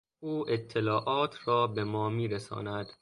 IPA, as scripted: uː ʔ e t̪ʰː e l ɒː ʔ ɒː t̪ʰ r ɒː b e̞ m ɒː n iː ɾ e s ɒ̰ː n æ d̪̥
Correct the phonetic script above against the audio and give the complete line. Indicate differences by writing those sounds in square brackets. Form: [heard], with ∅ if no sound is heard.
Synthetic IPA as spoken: uː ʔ e t̪ʰː e l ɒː ʔ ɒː t̪ʰ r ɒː b e̞ m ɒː [m] iː ɾ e s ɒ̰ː n æ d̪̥